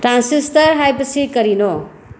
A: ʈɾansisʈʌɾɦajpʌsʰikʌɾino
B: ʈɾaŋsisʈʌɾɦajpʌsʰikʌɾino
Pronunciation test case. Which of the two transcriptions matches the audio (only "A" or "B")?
A